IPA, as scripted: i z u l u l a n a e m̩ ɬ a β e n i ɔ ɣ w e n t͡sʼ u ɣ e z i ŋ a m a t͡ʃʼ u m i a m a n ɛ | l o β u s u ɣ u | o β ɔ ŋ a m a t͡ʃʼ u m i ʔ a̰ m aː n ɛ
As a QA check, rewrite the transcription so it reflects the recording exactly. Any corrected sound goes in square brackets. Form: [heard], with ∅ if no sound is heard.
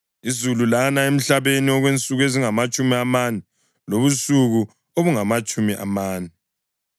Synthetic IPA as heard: i z u l u l a n a e m̩ ɬ a β e n i ɔ ɣ w e n t͡sʼ u ɣ e z i ŋ a m a t͡ʃʼ u m i a m a n ɛ | l o β u s u ɣ u | o β [u] ŋ a m a t͡ʃʼ u m i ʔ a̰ m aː n ɛ